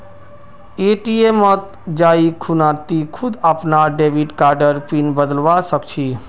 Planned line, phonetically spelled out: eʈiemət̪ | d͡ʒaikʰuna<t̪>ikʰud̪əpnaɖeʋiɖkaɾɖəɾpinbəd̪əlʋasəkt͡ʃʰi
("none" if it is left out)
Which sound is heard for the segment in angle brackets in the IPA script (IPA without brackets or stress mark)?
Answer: t̪